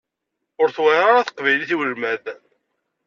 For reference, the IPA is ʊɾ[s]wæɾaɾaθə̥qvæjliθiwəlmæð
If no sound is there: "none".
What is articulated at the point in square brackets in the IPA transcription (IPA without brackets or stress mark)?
θ